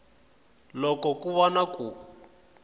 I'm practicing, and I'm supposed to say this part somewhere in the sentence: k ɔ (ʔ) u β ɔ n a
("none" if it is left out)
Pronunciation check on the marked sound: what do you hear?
k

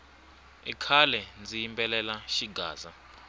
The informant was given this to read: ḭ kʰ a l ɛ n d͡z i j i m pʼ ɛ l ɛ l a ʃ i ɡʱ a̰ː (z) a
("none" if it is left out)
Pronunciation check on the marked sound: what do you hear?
z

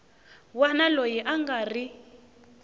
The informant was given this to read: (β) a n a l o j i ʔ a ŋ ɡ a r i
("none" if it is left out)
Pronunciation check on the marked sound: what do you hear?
w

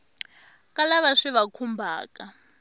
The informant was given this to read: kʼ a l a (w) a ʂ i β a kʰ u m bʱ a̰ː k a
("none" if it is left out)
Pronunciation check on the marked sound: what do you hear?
β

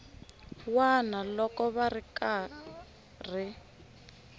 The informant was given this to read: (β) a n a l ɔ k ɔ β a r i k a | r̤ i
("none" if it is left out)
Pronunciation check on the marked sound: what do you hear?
w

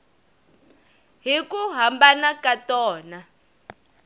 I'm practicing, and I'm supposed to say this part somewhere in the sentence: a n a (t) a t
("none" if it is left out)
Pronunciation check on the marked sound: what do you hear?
k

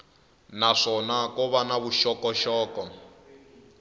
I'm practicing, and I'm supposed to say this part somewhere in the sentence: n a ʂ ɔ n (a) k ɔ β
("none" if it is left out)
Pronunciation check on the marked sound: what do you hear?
a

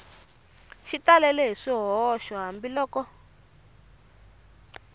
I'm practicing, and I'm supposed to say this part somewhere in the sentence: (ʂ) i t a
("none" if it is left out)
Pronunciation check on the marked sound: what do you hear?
ʃ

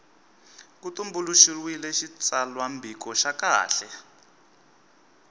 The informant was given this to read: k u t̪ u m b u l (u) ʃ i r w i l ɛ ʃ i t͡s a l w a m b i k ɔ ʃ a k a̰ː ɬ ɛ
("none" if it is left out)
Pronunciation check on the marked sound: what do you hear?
u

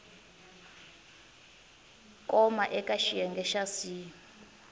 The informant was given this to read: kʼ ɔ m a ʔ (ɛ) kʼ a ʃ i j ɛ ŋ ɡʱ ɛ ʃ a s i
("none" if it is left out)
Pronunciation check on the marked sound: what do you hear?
ɛ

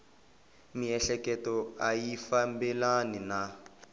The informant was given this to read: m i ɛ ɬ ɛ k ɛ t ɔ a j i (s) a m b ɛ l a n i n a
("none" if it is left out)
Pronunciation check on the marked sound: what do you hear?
f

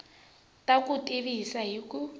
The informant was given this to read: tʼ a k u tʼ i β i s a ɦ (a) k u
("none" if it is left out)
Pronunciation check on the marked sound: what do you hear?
i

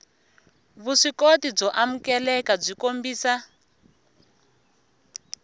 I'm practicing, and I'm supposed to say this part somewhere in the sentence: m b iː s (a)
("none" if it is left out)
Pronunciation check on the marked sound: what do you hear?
a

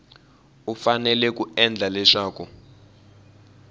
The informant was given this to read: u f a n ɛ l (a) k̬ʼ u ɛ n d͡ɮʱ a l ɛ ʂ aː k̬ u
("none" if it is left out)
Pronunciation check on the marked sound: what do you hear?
ɛ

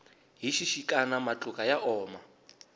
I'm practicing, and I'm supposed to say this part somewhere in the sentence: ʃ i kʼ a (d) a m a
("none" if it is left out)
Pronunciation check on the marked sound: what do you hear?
n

